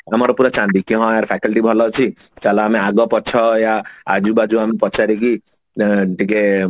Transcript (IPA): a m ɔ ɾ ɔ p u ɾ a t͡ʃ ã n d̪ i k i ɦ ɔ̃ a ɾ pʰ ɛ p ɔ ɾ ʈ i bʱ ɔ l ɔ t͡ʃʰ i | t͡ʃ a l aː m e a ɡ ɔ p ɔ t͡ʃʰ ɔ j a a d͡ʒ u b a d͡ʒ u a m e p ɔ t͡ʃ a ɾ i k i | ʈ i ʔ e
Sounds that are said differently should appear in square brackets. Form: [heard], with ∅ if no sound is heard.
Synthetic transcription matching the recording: a m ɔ ɾ ɔ p u ɾ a t͡ʃ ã n d̪ i k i ɦ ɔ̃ a ɾ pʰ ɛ [k] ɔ [l] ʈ i bʱ ɔ l ɔ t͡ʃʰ i | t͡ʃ a l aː m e a ɡ ɔ p ɔ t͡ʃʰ ɔ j a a d͡ʒ u b a d͡ʒ u a m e p ɔ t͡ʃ a ɾ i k i | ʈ i [k] e